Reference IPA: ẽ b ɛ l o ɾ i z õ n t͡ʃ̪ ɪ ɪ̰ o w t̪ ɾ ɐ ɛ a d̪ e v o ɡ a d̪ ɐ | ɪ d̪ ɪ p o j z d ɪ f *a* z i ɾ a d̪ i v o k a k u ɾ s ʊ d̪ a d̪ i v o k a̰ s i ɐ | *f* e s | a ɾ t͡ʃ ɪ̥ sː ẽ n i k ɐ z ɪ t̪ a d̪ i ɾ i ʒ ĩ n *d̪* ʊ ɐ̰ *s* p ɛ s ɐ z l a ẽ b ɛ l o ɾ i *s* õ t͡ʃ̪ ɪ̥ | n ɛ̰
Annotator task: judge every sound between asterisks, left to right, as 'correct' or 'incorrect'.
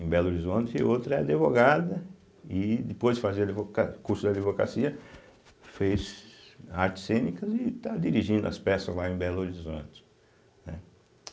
correct, correct, correct, correct, incorrect

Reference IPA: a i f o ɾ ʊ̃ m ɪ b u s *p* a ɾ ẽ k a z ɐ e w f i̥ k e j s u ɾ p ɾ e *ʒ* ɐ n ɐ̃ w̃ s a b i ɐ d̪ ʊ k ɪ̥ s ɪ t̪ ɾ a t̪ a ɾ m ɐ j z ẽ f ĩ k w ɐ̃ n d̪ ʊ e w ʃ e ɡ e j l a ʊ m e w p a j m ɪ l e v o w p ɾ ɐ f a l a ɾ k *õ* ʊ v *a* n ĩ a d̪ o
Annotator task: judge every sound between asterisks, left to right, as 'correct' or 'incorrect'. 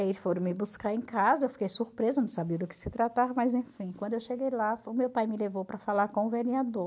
incorrect, incorrect, correct, incorrect

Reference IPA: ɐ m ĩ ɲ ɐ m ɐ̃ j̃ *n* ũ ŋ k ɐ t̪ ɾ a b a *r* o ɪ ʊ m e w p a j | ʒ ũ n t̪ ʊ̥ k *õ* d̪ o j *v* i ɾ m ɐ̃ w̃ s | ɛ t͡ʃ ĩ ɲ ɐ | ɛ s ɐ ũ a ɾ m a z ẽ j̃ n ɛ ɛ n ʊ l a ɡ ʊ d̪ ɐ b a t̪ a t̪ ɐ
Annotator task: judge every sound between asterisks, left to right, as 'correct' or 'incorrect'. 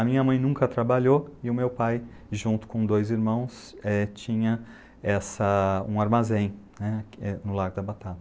correct, incorrect, correct, incorrect

